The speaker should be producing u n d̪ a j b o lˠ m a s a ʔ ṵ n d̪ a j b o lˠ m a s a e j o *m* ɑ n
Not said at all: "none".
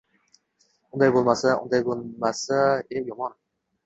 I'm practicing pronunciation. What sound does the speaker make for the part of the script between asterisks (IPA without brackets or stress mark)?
m